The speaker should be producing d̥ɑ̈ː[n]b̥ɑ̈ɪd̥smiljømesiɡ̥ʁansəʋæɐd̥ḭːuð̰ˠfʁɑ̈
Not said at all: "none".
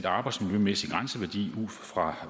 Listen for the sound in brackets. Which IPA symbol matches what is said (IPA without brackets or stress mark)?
none